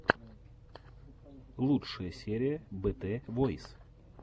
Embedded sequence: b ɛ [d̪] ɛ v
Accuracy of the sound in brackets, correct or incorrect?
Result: incorrect: t̪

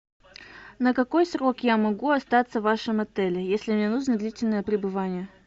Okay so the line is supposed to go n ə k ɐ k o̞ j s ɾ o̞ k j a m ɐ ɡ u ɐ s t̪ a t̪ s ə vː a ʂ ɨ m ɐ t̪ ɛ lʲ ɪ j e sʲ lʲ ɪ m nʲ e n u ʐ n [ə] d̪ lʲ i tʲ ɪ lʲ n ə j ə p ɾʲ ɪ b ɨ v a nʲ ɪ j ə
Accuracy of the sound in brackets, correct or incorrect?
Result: correct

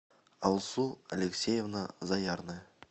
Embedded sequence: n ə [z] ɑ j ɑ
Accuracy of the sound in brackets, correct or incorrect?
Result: correct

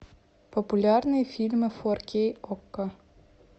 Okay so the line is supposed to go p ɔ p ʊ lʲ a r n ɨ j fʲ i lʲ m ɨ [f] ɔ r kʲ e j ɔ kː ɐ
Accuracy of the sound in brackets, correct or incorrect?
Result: correct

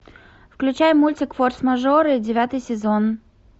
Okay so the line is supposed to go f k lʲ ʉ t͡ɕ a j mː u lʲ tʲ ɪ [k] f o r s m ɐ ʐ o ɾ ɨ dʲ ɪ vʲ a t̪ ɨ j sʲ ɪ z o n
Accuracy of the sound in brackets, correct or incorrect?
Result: correct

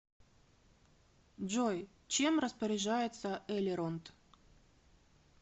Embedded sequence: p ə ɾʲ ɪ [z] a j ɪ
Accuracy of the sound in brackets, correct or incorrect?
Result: incorrect: ʐ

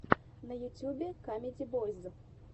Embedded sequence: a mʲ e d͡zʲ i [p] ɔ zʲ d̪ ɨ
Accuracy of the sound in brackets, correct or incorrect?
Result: incorrect: b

